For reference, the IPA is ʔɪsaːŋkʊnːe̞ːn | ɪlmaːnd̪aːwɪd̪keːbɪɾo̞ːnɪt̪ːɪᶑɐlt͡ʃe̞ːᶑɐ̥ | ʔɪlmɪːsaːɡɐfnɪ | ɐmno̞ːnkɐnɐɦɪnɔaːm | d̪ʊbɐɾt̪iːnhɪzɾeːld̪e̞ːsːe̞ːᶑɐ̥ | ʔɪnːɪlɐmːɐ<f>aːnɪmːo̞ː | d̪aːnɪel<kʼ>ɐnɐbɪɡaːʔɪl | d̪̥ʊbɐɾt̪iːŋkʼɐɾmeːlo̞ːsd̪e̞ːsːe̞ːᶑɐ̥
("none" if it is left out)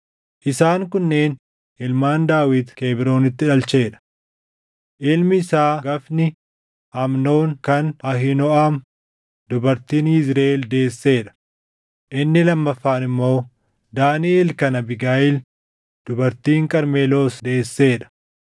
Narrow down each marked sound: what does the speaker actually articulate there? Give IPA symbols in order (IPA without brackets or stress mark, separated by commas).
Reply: fː, k